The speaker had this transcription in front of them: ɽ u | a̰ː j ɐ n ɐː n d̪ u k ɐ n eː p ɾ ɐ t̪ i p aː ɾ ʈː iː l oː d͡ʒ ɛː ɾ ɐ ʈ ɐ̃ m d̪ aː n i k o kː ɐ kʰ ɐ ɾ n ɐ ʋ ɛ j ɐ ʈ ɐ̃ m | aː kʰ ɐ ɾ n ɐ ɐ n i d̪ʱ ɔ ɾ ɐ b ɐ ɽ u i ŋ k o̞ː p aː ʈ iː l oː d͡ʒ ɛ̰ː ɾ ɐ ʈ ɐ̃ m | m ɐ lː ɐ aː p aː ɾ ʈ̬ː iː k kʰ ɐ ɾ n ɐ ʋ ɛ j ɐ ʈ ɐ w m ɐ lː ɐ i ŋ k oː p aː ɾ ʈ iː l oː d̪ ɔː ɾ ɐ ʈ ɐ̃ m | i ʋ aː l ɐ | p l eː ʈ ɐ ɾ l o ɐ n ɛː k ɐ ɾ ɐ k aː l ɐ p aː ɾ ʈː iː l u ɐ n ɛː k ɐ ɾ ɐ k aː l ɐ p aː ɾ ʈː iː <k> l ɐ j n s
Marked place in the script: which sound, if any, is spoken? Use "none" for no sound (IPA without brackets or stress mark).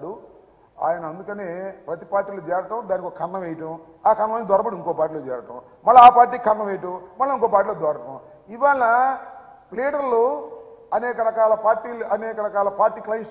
k